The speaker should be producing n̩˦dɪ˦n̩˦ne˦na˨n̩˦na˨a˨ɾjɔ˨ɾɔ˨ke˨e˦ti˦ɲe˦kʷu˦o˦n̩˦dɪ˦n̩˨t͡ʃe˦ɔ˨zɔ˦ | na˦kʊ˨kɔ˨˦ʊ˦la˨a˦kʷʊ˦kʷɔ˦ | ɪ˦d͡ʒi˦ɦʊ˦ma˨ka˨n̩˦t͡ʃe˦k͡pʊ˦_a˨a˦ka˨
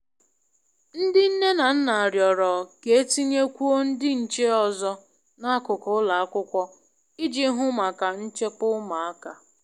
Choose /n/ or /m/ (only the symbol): m